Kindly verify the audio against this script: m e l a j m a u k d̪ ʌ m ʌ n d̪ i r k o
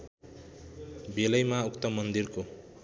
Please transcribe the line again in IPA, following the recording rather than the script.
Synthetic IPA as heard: b e l ʌ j m a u k t̪ ʌ m ʌ n d̪ i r k o

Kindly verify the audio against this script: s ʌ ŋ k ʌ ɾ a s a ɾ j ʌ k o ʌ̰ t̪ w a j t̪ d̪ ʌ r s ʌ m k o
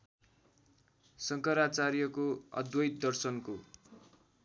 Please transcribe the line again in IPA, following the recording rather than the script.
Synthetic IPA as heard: s ʌ ŋ k ʌ ɾ a t͡s a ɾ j ʌ k o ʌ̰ d̪ w ʌ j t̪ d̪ ʌ r s ʌ n k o

